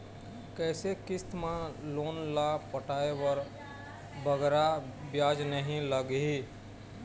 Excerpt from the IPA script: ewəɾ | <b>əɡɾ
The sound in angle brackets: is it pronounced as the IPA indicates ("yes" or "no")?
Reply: yes